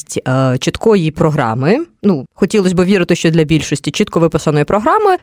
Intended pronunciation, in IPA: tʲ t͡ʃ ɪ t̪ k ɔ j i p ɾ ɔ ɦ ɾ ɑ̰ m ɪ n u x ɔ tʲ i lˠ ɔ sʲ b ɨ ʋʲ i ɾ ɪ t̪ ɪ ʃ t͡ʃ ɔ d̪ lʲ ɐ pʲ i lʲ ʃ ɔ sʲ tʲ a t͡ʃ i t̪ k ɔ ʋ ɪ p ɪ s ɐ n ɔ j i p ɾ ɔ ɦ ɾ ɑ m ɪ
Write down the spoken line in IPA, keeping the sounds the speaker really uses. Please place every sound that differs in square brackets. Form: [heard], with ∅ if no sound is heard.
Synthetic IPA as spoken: tʲ t͡ʃ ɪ t̪ k ɔ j i p ɾ ɔ ɦ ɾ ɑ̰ m ɪ n u x ɔ tʲ i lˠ ɔ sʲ b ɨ ʋʲ i ɾ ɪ t̪ ɪ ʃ t͡ʃ ɔ d̪ lʲ ɐ [bʲ] i lʲ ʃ ɔ sʲ tʲ [i] t͡ʃ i t̪ k ɔ ʋ ɪ p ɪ s ɐ n ɔ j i p ɾ ɔ ɦ ɾ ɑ m ɪ